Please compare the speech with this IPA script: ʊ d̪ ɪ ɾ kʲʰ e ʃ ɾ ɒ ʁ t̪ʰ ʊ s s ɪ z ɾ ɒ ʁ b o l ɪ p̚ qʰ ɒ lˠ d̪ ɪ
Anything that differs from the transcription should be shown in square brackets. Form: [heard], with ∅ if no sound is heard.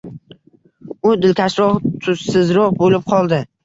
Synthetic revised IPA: ʊ d̪ ɪ [l] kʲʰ [a] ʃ ɾ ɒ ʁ t̪ʰ ʊ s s ɪ z ɾ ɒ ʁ b o l ɪ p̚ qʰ ɒ lˠ d̪ ɪ